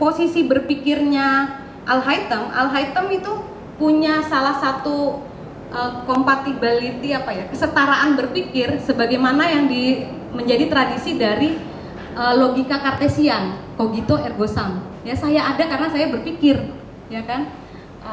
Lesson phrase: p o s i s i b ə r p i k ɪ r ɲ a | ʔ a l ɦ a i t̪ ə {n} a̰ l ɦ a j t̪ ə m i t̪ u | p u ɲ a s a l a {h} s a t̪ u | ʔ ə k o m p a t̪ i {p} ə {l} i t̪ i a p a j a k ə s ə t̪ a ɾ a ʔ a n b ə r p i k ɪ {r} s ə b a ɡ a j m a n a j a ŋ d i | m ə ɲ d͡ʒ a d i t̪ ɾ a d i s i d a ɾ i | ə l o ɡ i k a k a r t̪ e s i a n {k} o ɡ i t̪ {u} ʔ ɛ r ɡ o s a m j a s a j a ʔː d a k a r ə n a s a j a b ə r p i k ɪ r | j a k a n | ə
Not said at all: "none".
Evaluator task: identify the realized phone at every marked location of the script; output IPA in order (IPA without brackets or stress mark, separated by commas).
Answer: m, h, b, l, r, k, o